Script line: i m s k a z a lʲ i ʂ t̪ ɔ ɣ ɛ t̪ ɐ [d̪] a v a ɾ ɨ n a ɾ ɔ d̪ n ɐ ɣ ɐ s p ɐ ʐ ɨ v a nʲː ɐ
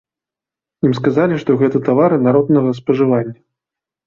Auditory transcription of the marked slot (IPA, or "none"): t̪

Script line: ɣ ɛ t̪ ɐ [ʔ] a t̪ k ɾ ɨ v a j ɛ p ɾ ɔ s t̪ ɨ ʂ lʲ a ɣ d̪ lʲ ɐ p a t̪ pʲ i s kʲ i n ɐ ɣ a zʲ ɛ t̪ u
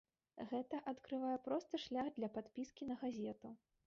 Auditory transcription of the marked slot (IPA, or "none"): ʔ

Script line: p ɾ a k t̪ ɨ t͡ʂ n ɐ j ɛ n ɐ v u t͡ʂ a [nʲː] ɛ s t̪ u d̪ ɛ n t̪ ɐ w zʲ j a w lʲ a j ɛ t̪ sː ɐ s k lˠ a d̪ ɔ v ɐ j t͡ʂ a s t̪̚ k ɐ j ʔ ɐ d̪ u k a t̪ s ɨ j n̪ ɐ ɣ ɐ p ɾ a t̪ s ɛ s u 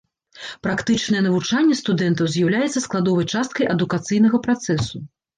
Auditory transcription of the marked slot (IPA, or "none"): nʲː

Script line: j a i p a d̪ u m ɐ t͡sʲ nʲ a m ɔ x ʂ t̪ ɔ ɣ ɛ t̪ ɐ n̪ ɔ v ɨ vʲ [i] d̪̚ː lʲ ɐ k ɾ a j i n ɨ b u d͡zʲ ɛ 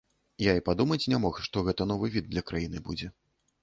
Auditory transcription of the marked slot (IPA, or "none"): i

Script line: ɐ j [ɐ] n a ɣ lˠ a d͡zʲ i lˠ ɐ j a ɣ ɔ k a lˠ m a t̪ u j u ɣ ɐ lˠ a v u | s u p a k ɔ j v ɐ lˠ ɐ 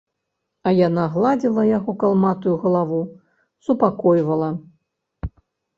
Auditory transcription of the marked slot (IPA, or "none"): a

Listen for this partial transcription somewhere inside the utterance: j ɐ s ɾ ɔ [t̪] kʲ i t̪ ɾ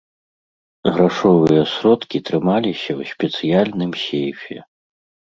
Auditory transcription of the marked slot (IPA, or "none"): t̪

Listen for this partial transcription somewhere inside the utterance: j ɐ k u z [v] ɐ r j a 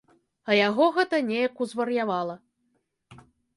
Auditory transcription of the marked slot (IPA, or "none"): v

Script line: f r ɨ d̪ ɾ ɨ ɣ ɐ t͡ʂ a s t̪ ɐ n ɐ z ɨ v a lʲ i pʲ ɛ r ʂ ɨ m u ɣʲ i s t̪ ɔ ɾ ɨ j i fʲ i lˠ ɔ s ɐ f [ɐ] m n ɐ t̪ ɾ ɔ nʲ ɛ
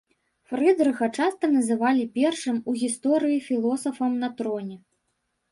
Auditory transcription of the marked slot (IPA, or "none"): ɐ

